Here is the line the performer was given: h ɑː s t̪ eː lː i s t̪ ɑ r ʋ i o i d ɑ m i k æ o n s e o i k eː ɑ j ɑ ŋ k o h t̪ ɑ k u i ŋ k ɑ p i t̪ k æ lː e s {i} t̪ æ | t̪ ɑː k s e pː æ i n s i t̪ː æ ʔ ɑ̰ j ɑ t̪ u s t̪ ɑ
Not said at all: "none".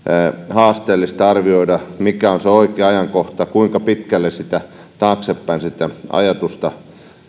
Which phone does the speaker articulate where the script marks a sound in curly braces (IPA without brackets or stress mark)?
i